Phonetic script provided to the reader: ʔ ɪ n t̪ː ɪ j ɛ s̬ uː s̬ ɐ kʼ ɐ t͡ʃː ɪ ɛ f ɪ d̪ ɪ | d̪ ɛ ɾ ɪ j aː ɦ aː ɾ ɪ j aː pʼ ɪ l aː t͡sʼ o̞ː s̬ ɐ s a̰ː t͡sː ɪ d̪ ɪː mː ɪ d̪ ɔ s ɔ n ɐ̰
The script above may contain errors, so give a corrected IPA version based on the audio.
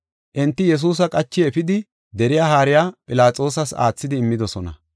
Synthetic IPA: ʔ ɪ n t̪ː ɪ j ɛ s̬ uː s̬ ɐ kʼ ɐ t͡ʃː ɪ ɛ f ɪ d̪ ɪ | d̪ ɛ ɾ ɪ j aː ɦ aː ɾ ɪ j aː pʼ ɪ l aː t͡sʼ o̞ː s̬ ɐ s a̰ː t͡sː ɪ d̪ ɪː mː ɪ d̪ ɔ s ɔ n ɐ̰